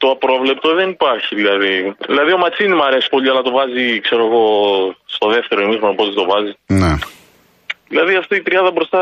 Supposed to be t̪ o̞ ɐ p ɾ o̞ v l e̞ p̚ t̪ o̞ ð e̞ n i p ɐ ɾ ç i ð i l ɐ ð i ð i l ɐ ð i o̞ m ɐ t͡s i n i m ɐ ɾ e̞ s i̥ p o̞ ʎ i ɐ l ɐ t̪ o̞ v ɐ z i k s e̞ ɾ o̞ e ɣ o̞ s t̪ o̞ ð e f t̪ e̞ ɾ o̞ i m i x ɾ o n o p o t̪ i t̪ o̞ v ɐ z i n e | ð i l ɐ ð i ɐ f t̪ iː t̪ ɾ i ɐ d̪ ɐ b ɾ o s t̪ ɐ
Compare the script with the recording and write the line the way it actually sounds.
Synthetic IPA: t̪ o̞ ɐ p ɾ o̞ v l e̞ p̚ t̪ o̞ ð e̞ n i p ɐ ɾ ç i ð i l ɐ ð i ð i l ɐ ð i o̞ m ɐ t͡s i n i m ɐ ɾ e̞ s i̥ p o̞ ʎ i ɐ l ɐ t̪ o̞ v ɐ z i k s e̞ ɾ o̞ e ɣ o̞ s t̪ o̞ ð e f t̪ e̞ ɾ o̞ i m i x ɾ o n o p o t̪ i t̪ o̞ v ɐ z i n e | ð i l ɐ ð i ɐ f t̪ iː t̪ ɾ i ɐ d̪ ɐ b ɾ o s t̪ ɐ